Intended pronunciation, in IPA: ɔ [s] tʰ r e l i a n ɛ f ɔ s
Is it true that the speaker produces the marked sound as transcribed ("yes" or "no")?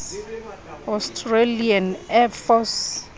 yes